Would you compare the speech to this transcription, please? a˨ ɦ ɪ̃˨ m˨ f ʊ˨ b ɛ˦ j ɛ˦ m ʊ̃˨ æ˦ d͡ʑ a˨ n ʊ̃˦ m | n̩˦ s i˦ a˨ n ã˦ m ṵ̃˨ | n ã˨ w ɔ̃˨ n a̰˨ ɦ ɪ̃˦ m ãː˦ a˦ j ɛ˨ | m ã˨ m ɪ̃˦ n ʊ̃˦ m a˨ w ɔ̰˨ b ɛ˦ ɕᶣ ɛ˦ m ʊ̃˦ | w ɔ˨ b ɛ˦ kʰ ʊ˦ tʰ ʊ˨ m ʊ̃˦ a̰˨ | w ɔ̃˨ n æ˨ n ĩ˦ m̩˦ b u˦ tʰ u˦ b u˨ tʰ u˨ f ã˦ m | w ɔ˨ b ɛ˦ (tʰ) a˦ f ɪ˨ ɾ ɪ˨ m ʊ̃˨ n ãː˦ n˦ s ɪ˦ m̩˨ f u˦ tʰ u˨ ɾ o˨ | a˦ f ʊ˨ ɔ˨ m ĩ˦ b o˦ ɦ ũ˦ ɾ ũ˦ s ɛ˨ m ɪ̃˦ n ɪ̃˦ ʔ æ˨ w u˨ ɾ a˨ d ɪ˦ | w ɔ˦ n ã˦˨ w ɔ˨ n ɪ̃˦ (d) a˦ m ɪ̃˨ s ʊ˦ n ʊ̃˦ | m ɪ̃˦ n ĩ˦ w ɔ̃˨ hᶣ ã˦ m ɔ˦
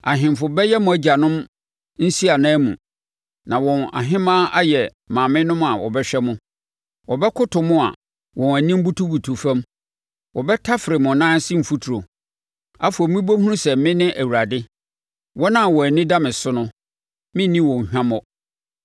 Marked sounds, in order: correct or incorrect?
correct, correct

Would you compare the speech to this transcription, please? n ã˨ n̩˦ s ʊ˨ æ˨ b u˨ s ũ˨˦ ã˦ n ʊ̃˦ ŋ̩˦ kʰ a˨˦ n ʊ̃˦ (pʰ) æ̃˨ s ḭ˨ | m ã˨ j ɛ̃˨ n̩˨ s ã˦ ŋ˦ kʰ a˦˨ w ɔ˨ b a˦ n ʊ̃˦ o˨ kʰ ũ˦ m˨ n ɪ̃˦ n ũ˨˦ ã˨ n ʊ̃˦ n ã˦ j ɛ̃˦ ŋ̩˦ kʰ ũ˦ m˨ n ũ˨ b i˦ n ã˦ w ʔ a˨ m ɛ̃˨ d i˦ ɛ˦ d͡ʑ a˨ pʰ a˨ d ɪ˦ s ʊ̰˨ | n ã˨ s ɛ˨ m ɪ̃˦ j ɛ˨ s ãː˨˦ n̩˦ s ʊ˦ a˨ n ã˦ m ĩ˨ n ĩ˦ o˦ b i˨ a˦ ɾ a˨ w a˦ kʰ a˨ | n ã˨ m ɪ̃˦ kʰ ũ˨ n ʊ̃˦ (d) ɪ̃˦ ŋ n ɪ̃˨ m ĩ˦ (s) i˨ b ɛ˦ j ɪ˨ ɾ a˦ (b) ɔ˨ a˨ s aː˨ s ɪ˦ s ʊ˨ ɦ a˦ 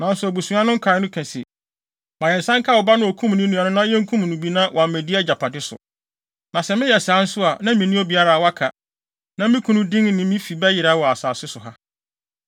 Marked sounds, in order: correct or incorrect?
incorrect, correct, incorrect, incorrect

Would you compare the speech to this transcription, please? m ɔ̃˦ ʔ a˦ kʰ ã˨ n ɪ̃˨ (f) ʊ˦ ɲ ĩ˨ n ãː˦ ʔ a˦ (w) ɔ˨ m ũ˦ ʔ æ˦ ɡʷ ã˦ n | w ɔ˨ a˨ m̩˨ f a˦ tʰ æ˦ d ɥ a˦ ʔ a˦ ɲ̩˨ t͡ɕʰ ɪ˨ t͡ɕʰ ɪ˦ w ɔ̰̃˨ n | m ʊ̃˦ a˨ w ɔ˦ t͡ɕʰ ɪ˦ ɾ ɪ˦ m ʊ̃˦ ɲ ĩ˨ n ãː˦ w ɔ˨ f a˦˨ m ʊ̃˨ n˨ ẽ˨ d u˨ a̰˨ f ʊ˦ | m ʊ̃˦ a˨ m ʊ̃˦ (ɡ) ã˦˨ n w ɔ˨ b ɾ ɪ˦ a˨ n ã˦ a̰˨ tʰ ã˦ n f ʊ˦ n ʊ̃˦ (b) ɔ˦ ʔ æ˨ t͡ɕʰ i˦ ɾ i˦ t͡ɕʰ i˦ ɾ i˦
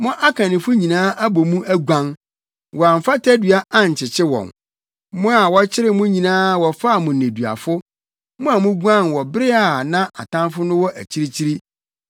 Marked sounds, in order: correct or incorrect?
correct, incorrect, correct, incorrect

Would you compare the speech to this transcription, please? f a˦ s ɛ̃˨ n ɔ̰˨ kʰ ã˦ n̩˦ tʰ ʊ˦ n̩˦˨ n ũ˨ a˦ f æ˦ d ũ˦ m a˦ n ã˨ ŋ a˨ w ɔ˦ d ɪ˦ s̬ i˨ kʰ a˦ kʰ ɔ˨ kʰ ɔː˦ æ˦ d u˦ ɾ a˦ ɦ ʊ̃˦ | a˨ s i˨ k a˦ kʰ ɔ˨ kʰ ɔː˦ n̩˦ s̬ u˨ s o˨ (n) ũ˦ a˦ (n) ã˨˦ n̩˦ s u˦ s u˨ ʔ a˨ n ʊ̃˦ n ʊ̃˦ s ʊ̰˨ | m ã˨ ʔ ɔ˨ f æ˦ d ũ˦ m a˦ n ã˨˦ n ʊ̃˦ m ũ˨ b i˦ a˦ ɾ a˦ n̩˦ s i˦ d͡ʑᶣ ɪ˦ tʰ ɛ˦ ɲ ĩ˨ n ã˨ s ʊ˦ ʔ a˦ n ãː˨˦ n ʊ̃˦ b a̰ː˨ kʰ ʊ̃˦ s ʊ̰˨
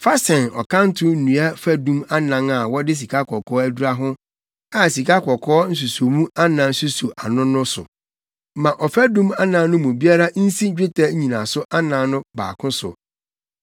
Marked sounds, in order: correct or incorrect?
incorrect, correct

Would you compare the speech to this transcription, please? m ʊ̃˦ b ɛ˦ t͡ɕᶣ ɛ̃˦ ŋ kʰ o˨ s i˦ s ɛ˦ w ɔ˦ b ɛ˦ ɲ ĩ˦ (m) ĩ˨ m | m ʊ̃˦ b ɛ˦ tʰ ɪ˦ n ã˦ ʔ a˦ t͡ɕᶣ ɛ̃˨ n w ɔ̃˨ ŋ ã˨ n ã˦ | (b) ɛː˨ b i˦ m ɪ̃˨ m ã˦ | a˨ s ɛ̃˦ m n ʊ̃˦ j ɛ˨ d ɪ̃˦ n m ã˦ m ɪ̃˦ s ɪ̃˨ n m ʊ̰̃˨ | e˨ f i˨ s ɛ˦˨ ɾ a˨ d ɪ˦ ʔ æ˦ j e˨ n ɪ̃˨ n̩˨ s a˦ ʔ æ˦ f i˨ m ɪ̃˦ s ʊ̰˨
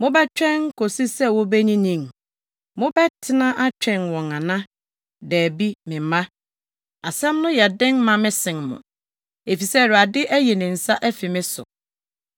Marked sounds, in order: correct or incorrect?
incorrect, incorrect

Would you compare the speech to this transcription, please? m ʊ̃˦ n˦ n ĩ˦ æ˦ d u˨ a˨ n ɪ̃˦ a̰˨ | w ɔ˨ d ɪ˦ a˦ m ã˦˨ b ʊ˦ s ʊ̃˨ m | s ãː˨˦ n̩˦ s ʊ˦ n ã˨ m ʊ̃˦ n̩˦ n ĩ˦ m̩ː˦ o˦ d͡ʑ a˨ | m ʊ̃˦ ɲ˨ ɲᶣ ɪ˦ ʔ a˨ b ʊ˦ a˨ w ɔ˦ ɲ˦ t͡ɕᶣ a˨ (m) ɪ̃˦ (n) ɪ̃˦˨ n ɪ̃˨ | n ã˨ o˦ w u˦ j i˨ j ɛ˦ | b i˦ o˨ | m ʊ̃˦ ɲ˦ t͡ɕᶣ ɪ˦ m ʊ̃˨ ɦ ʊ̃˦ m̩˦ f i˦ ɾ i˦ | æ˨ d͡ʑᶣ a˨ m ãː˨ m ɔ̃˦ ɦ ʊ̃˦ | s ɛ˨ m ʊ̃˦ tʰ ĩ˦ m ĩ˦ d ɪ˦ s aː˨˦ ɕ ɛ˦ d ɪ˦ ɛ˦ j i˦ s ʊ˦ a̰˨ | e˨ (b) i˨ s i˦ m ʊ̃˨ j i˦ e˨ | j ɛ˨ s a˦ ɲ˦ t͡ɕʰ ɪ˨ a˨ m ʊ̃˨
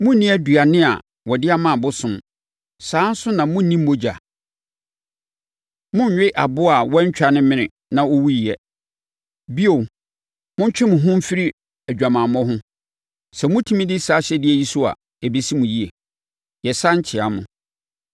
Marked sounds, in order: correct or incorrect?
incorrect, incorrect, correct

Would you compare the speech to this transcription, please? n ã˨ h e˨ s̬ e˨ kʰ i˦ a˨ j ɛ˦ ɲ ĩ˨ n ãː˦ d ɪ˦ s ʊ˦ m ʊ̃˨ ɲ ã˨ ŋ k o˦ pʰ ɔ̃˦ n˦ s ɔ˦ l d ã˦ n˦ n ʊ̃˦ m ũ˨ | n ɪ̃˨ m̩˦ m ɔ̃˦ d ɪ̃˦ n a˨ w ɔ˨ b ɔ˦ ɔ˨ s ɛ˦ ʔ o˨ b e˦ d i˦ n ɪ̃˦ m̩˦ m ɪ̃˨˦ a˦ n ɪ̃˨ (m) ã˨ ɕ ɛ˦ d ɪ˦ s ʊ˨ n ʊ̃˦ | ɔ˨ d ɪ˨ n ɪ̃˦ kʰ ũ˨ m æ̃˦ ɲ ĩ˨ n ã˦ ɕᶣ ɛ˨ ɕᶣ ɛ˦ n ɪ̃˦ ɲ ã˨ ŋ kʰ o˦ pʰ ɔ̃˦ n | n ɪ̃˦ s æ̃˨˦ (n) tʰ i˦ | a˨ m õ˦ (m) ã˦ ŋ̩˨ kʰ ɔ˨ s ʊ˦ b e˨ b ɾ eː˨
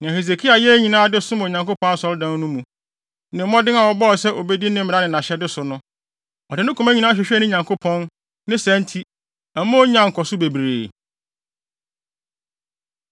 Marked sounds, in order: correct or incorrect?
incorrect, correct, incorrect

